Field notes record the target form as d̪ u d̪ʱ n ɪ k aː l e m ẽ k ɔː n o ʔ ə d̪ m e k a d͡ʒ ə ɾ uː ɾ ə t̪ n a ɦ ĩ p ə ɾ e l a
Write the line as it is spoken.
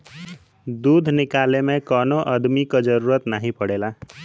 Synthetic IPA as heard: d̪ u d̪ʱ n ɪ k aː l e m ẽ k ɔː n o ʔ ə d̪ m i k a d͡ʒ ə ɾ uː ɾ ə t̪ n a ɦ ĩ p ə ɽ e l a